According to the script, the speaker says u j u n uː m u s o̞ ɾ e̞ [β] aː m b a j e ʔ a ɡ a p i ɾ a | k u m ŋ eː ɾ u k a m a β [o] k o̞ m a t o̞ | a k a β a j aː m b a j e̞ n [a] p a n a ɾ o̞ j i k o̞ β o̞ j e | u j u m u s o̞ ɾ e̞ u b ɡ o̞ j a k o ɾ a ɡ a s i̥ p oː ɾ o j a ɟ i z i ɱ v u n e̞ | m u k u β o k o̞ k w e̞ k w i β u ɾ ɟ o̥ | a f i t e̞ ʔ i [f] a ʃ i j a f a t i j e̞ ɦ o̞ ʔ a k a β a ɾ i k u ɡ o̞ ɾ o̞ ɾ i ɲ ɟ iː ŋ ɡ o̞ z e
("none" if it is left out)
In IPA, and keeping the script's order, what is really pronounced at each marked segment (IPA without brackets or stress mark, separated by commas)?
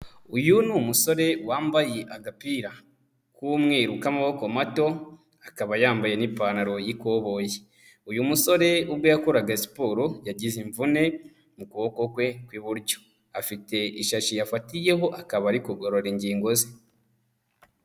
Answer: w, o, i, ʃ